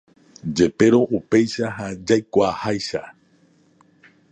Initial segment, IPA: d͡ʒ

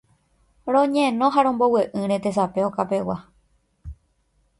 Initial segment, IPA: ɾ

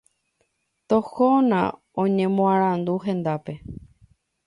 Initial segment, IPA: t̪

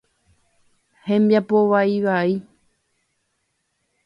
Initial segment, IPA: h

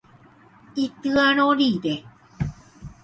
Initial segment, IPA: i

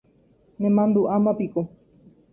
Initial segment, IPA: n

